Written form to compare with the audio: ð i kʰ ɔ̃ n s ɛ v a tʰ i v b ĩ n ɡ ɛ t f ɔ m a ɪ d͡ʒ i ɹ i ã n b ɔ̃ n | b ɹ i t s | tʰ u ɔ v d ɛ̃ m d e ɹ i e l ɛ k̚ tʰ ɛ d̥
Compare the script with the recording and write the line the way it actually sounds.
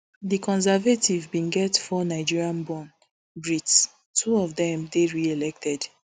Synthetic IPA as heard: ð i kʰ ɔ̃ n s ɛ v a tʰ i v b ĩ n ɡ ɛ t f ɔ n a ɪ d͡ʒ i ɹ i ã n b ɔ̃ n | b ɹ i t s | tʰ u ɔ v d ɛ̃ m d e ɹ i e l ɛ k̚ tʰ ɛ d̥